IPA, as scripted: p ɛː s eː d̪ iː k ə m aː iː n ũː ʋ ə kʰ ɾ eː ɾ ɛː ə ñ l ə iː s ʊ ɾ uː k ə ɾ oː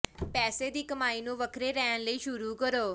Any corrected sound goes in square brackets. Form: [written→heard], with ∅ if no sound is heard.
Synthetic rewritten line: p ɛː s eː d̪ iː k ə m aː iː n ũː ʋ ə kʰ ɾ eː ɾ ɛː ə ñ l ə iː [s→ʃ] ʊ ɾ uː k ə ɾ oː